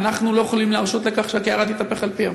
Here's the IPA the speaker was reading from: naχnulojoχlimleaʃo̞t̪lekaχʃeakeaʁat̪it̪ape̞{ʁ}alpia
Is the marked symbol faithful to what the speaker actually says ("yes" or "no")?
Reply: no